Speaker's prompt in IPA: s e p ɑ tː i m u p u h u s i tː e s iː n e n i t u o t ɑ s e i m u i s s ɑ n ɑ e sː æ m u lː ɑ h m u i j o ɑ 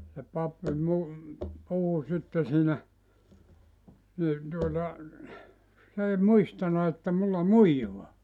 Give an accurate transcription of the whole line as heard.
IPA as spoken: s e p ɑ pː i m u p u h u s i tː e s iː n æ n i t u o t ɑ s e i m u i s t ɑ n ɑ e tː æ m u lː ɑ m u i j o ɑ